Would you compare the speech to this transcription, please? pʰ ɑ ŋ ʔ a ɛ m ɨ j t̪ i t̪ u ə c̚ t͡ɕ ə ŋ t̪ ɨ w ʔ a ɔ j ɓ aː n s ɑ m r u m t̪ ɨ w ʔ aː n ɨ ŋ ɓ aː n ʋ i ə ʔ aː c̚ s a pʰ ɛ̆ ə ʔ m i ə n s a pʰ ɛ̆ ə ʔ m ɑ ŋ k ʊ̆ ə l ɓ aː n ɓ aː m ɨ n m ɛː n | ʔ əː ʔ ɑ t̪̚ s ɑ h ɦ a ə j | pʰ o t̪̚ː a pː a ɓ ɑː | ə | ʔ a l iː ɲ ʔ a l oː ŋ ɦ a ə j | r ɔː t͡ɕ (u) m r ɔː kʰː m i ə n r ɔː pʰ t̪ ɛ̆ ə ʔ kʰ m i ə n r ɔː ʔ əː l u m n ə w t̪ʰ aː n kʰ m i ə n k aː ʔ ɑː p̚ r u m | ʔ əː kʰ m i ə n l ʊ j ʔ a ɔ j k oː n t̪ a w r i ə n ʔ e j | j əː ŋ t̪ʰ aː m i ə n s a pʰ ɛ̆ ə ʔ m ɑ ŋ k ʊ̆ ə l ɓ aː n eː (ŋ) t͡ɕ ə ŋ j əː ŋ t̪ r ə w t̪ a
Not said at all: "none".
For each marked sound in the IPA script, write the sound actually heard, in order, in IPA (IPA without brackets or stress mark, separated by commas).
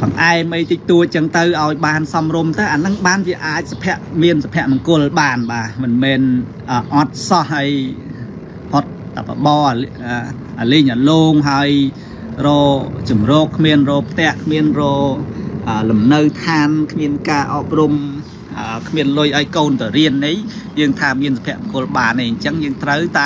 u, ɲ